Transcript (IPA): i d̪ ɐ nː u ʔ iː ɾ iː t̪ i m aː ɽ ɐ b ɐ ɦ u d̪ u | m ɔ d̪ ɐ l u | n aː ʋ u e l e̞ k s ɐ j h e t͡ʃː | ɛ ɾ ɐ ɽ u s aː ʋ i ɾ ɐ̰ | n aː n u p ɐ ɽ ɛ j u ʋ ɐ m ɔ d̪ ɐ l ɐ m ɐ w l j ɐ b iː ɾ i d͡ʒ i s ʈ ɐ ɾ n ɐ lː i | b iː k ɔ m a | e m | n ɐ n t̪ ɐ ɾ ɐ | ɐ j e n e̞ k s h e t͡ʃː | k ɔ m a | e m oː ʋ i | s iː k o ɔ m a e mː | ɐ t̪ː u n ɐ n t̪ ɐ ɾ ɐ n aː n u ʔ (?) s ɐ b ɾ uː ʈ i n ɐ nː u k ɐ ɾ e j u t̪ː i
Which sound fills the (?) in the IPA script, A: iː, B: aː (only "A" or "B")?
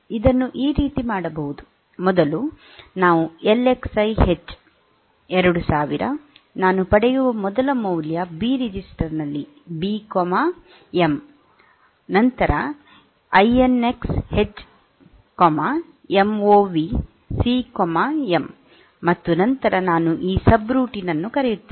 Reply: A